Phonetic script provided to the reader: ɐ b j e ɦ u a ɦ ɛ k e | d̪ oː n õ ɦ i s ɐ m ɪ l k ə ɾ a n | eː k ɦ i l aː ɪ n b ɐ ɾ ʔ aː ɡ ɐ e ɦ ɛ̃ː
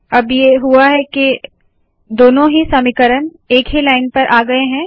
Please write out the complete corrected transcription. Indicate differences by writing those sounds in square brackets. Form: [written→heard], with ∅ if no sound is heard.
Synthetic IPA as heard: ɐ b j e ɦ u a ɦ ɛ k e | d̪ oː n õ ɦ i s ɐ m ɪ [l→∅] k ə ɾ [a→ə] n | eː k ɦ i l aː ɪ n [b→p] ɐ ɾ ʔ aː ɡ ɐ e ɦ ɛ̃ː